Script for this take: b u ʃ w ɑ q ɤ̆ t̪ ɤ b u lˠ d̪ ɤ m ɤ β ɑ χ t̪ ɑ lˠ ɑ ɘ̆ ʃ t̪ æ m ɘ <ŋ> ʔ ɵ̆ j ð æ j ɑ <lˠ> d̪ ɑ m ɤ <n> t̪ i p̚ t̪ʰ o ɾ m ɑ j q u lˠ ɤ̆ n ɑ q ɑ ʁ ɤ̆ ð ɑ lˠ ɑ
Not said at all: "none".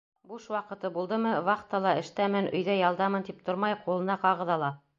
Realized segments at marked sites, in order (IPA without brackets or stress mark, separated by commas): n, lˠ, n